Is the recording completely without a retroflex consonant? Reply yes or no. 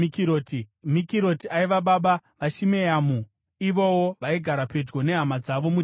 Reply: yes